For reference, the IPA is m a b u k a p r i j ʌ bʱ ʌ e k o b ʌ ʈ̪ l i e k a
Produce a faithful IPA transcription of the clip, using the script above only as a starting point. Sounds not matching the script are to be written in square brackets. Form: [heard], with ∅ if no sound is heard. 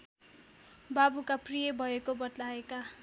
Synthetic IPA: [b] a b u k a p r i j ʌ bʱ ʌ e k o b ʌ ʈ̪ l [a] e k a